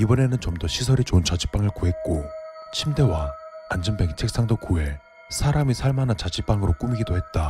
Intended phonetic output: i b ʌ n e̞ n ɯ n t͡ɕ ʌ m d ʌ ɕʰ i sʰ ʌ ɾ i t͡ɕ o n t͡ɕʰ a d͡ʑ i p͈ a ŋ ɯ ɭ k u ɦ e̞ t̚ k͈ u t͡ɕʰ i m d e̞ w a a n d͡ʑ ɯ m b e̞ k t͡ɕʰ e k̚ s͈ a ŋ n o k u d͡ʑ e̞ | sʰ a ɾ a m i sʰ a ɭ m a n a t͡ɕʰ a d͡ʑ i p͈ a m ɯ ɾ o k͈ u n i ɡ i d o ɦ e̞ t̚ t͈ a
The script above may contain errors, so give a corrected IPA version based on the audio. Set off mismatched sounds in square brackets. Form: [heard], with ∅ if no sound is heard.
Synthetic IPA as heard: i b ʌ n e̞ n ɯ n t͡ɕ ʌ m d ʌ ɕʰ i sʰ ʌ ɾ i t͡ɕ o n [t͡ɕ] a d͡ʑ i p͈ a ŋ ɯ ɭ k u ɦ e̞ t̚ k͈ [o] t͡ɕʰ i m d e̞ w a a n d͡ʑ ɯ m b e̞ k t͡ɕʰ e k̚ s͈ a ŋ [d] o k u [∅] e̞ | sʰ a ɾ a m i sʰ a ɭ m a n a [t͡ɕ] a d͡ʑ i p͈ a [ŋ] ɯ ɾ o k͈ u [m] i ɡ i d o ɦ e̞ t̚ t͈ a